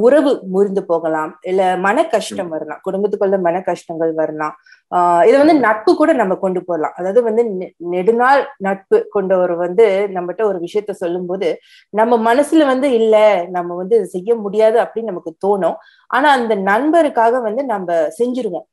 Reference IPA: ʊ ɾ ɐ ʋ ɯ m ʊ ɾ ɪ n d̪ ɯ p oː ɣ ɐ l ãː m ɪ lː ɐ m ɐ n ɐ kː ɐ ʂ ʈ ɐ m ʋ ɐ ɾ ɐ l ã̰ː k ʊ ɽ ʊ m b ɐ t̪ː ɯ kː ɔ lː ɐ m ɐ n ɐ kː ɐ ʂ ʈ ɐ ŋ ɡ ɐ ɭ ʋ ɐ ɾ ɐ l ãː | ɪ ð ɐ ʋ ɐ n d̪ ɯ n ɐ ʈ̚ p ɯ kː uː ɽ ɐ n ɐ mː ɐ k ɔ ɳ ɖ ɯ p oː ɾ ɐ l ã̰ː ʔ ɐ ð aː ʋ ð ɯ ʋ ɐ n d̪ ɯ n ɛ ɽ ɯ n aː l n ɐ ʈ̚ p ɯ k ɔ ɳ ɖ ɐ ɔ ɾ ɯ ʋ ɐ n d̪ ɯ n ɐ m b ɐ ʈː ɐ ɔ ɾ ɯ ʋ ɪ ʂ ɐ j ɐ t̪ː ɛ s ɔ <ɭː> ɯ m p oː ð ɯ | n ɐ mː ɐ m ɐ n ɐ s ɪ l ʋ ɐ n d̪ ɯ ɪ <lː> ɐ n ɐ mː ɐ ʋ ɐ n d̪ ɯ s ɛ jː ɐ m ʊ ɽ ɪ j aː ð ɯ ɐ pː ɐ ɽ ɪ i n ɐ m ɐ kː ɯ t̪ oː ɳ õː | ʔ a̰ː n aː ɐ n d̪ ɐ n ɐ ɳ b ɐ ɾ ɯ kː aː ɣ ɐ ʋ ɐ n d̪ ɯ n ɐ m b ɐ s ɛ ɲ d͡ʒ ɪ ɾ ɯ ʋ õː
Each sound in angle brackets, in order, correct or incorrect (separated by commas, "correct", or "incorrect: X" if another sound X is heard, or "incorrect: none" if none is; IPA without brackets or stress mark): incorrect: lː, correct